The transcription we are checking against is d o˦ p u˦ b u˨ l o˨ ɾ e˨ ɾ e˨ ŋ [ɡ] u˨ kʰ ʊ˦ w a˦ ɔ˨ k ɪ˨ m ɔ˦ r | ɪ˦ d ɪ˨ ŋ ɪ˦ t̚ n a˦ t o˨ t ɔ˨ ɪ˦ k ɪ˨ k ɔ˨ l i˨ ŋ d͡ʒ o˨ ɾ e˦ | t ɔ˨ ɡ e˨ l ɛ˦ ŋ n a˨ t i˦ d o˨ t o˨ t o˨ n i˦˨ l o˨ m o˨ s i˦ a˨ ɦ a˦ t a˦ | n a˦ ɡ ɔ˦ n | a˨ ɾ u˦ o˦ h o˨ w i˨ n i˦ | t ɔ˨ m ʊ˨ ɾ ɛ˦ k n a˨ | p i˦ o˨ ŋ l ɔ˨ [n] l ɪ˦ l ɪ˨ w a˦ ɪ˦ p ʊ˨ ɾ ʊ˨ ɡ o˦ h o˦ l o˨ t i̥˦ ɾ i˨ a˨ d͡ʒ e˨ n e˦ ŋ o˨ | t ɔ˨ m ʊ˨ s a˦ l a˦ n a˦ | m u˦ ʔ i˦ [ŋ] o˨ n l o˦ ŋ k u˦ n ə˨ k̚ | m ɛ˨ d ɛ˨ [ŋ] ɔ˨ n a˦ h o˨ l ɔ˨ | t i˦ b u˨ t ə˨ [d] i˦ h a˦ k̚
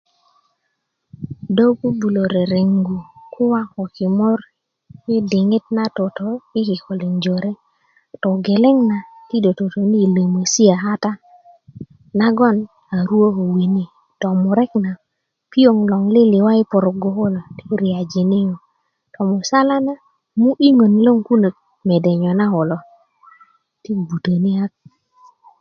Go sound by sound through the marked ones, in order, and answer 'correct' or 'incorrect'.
correct, incorrect: ŋ, correct, incorrect: ɲ, incorrect: n

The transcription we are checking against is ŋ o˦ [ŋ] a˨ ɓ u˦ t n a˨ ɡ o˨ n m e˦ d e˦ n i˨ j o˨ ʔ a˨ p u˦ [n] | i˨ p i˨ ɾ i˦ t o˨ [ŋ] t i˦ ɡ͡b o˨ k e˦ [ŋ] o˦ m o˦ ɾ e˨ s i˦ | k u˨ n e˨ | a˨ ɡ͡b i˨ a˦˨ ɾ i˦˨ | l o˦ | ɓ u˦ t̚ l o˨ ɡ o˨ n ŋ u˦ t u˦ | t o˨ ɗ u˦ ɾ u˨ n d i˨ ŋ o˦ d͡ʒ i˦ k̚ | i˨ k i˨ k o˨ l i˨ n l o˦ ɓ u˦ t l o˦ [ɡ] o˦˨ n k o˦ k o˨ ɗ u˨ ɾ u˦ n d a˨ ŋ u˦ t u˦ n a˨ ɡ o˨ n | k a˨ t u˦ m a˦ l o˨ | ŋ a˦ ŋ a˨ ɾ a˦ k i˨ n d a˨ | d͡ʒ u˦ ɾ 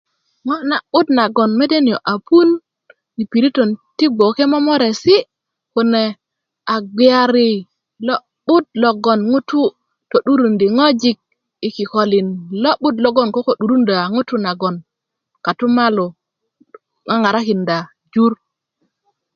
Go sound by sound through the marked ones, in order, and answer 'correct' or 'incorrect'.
incorrect: n, correct, incorrect: n, incorrect: m, correct

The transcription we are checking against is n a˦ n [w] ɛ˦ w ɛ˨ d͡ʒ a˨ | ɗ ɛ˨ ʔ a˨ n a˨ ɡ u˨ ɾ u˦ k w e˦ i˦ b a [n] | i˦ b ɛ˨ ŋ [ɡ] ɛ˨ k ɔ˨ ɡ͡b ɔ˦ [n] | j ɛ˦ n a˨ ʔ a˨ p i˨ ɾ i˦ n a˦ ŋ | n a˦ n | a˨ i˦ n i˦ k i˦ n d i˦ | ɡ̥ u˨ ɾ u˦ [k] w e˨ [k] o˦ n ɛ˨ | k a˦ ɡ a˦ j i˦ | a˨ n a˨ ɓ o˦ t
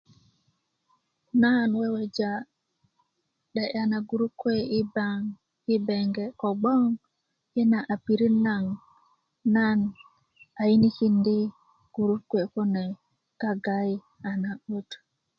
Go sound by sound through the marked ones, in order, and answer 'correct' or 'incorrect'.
correct, incorrect: ŋ, correct, incorrect: ŋ, correct, correct

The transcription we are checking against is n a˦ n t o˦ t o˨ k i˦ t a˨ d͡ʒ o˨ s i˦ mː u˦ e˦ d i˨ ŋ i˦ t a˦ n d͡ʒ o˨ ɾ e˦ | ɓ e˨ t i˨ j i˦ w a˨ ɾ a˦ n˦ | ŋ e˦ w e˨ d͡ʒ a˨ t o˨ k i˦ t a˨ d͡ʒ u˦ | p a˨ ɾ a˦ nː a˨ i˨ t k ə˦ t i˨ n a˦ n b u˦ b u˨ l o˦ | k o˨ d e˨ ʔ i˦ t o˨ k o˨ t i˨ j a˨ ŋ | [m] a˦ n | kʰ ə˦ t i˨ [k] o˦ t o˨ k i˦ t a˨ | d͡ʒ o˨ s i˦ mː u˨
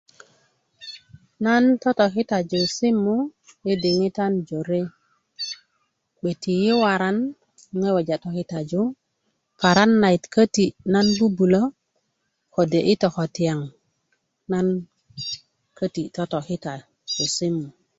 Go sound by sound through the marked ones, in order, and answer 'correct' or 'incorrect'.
incorrect: n, incorrect: t

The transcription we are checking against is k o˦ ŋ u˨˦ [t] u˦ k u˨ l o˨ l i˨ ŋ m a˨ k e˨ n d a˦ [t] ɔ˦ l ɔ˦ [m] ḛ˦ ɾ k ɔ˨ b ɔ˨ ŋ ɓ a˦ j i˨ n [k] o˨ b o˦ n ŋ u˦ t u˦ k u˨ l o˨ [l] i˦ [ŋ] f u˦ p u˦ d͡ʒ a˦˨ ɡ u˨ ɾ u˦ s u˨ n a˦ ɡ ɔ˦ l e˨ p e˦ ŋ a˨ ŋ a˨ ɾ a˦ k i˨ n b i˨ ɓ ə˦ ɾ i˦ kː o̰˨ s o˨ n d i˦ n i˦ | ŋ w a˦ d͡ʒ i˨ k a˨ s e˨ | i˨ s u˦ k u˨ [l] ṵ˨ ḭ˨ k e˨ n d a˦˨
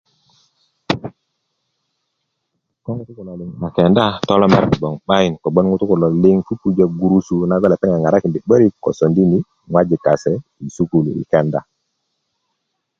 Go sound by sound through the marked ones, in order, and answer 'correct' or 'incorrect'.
correct, correct, correct, correct, correct, correct, correct

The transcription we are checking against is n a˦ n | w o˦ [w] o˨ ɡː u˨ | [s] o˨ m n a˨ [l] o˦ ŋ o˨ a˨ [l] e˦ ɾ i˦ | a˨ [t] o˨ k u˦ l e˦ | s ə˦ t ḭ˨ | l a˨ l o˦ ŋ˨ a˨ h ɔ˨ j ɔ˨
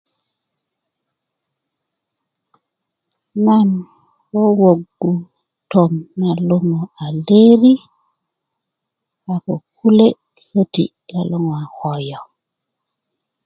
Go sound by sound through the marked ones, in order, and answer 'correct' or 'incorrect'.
correct, incorrect: t, correct, correct, incorrect: k

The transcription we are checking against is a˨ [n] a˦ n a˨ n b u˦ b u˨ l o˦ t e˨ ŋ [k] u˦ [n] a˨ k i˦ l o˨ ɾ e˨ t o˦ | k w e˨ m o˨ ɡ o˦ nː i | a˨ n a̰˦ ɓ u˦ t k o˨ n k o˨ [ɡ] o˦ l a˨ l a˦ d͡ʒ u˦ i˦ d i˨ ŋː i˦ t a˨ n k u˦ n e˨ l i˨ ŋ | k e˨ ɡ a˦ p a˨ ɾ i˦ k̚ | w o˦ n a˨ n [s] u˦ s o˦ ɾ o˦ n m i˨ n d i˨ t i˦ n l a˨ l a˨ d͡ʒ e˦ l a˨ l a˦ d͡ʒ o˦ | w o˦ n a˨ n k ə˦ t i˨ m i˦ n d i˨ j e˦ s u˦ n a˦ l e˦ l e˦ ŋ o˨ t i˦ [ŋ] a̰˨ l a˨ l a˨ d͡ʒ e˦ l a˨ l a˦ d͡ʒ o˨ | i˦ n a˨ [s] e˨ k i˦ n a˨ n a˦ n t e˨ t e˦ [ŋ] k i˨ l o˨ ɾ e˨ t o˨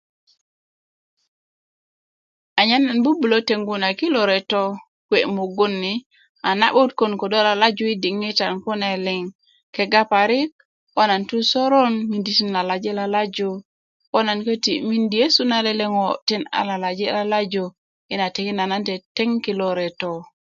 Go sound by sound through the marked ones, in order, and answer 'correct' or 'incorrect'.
incorrect: ɲ, incorrect: ɡ, correct, incorrect: d, incorrect: t, incorrect: n, incorrect: t, correct

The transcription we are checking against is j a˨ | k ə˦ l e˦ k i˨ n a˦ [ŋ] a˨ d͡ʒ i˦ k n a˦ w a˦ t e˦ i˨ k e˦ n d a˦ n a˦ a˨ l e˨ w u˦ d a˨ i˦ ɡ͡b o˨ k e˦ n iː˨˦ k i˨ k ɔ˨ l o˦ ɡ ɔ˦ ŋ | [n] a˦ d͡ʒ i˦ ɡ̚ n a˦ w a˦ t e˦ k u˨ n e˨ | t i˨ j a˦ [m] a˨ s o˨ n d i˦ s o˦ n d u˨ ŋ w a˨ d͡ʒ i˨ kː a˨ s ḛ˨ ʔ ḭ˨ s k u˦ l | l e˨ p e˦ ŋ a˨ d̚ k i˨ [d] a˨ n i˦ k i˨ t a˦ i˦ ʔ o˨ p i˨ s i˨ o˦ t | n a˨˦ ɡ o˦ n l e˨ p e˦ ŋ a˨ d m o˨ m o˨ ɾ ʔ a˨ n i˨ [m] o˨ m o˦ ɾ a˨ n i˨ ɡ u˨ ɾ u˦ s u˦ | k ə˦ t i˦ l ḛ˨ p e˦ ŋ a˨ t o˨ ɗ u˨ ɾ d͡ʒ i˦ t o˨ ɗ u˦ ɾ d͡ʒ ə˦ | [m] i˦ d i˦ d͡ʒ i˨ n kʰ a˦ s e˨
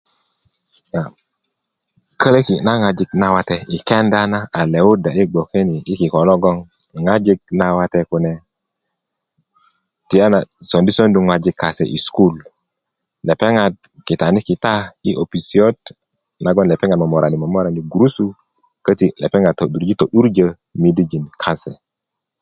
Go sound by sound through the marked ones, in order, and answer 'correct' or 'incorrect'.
correct, incorrect: ŋ, incorrect: n, incorrect: t, correct, correct

